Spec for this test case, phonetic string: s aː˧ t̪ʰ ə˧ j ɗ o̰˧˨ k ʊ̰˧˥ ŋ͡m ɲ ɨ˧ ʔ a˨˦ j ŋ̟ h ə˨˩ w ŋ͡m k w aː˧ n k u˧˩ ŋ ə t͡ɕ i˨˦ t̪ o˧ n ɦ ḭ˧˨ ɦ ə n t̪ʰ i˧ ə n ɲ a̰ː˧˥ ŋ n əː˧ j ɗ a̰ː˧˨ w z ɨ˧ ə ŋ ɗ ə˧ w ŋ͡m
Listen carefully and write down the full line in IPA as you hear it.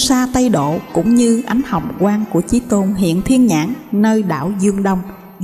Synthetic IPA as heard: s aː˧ t̪ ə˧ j ɗ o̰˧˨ k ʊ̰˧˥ ŋ͡m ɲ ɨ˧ ʔ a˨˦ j ŋ̟ h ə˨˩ w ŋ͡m k w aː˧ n k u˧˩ ə t͡ɕ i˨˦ t̪ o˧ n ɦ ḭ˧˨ ə n t̪ʰ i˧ ə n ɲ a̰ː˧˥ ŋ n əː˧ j ɗ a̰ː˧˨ w z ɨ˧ ə ŋ ɗ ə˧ w ŋ͡m